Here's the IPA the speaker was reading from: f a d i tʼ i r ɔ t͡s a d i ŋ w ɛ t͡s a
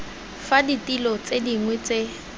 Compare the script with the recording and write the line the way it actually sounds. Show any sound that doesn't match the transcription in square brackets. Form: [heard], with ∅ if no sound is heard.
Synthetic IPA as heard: f a d i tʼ i [l] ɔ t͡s [e] d i ŋ w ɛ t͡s [e]